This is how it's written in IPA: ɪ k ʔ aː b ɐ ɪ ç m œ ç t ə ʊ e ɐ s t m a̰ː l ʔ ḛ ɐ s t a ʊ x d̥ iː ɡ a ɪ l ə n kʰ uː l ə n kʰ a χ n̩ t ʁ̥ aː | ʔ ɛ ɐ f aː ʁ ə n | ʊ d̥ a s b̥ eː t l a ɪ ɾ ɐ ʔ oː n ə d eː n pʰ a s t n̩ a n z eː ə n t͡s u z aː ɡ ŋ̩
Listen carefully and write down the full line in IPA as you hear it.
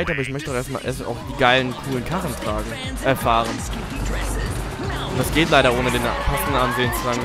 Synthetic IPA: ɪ t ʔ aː b ɐ ɪ ç m œ ç t ə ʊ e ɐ s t m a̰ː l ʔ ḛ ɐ s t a ʊ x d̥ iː ɡ a ɪ l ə n kʰ uː l ə n kʰ a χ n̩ t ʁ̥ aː | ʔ ɛ ɐ f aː ʁ ə n | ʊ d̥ a s ɡ̥ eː t l a ɪ ɾ ɐ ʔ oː n ə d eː n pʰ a s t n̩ a n z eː ə n t͡s u z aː ɡ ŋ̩